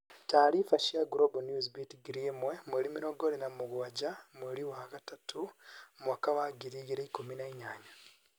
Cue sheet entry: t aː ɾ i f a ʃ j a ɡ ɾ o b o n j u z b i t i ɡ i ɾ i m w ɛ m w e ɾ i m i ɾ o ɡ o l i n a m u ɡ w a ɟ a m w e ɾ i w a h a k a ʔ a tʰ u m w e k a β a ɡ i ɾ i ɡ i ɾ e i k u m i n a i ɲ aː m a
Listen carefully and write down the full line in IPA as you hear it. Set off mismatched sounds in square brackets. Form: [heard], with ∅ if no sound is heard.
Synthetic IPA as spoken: t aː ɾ i f a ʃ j a ɡ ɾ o b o n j u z b i t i ɡ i ɾ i m w [e] m w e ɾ i m i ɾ o ɡ o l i n a m u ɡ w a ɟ a m w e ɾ i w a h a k a [t] a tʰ u m w [a] k a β a ɡ i ɾ i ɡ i ɾ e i k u m i n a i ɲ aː [ɲ] a